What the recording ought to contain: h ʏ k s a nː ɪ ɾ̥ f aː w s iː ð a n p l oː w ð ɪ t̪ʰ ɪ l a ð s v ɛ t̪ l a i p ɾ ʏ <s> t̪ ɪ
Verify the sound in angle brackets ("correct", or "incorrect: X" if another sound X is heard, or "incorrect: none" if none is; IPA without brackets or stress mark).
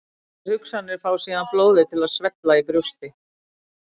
correct